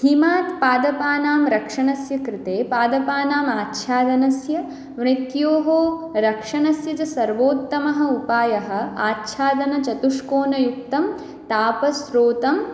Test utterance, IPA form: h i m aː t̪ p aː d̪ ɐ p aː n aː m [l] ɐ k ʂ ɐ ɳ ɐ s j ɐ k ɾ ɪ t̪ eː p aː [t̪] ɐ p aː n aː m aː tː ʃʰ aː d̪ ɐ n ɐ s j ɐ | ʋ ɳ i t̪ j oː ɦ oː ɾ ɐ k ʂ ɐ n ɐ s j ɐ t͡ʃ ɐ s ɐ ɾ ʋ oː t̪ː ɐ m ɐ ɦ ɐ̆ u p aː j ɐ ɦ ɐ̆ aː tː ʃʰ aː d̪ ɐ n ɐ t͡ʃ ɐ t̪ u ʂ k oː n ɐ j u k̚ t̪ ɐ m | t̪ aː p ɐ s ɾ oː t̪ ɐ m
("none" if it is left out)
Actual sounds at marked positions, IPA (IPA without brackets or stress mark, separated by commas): ɾ, d̪